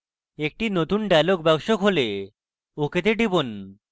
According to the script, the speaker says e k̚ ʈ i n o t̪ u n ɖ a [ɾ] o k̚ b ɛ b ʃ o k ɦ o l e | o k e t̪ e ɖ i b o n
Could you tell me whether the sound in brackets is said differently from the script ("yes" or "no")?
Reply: yes